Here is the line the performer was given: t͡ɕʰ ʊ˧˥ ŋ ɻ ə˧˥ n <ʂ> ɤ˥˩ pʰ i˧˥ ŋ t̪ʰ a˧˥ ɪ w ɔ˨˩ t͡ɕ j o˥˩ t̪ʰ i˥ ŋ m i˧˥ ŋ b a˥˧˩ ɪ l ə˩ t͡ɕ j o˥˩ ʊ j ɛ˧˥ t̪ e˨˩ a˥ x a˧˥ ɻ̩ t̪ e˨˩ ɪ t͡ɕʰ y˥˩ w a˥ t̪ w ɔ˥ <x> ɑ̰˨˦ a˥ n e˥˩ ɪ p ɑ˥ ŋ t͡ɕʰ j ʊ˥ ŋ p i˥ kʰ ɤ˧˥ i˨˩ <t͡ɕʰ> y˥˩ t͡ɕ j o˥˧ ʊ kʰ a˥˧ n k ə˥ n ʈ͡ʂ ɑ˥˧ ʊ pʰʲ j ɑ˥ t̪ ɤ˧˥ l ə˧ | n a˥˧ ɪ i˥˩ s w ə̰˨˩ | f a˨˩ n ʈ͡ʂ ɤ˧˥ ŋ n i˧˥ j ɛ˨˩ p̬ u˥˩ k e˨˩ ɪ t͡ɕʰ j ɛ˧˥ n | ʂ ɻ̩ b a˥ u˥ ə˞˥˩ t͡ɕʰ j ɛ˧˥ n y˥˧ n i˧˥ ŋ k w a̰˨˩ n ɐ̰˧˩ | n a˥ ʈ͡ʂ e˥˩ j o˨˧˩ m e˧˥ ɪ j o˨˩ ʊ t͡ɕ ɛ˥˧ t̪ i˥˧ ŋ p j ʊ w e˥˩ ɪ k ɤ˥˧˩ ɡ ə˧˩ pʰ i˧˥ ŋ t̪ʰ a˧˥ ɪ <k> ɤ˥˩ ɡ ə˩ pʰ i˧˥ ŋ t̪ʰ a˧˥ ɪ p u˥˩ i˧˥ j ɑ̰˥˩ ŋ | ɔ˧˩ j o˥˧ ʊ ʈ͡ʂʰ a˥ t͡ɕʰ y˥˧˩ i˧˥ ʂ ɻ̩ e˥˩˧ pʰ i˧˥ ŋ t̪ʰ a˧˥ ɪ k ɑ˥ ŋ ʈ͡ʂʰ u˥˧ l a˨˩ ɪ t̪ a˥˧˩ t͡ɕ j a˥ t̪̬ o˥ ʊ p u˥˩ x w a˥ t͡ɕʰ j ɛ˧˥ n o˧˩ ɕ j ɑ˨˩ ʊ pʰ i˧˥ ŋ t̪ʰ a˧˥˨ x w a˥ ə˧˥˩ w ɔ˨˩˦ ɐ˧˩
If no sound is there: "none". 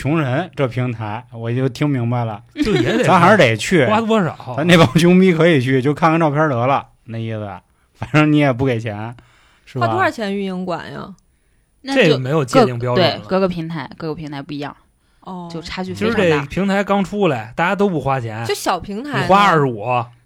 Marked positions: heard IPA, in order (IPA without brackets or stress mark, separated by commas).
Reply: ʈ͡ʂ, ʂ, t͡ɕʰ, k